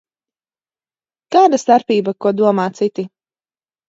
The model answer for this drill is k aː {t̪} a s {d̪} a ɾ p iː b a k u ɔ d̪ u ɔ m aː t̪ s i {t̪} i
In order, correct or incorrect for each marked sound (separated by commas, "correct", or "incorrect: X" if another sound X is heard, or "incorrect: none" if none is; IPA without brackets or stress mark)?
incorrect: d̪, incorrect: t̪, correct